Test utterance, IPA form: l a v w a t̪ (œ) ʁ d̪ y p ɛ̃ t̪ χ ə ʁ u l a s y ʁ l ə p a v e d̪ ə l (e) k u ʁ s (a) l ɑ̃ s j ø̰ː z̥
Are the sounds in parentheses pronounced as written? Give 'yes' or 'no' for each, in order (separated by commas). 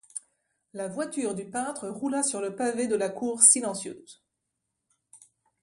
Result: no, no, no